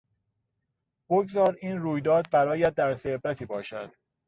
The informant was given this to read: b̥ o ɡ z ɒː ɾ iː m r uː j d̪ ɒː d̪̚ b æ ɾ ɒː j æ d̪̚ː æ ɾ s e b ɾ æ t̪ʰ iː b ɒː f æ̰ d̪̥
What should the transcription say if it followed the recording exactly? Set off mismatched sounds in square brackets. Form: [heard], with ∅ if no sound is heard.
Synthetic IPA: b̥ o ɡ z ɒː ɾ iː [n] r uː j d̪ ɒː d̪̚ b æ ɾ ɒː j æ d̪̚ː æ ɾ s e b ɾ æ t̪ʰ iː b ɒː [ʃ] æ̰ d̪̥